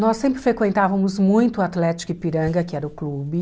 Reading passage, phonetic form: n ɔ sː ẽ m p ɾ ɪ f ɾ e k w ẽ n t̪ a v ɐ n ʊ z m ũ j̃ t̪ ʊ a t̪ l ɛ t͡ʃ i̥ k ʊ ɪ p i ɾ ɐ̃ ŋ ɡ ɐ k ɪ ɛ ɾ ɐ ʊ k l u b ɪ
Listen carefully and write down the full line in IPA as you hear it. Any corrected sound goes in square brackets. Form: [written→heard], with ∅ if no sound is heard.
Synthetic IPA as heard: n ɔ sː ẽ m p ɾ ɪ f ɾ e k w ẽ n t̪ a v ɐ [n→m] ʊ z m ũ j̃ t̪ ʊ a t̪ l ɛ t͡ʃ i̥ k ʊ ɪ p i ɾ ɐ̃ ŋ ɡ ɐ k ɪ ɛ ɾ ɐ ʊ k l u b ɪ